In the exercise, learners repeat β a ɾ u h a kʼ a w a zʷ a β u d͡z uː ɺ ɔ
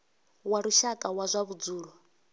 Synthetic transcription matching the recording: w a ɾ u ʃ a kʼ a w a zʷ a β u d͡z uː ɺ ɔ